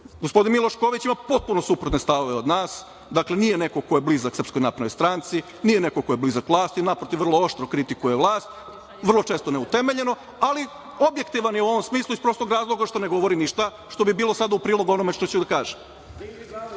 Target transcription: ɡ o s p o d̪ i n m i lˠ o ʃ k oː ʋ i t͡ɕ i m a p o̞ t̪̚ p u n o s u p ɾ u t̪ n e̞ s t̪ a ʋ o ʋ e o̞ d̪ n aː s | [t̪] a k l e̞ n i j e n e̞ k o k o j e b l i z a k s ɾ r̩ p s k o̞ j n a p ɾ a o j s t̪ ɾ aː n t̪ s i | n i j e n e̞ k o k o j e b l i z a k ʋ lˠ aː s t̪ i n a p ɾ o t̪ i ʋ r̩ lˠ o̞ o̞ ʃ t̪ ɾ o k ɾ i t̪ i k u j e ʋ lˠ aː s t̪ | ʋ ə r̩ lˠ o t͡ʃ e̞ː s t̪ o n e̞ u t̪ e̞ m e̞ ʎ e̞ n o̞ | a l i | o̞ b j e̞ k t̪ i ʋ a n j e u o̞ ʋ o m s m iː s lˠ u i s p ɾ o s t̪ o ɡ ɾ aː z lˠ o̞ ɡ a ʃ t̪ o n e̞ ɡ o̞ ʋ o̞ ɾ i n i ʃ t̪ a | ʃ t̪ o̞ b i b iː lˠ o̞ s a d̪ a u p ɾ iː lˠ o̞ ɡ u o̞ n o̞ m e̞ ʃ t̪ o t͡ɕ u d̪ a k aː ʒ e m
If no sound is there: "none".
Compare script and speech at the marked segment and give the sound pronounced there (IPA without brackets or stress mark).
d̪